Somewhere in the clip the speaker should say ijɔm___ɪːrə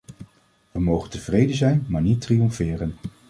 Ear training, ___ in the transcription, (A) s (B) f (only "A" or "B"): B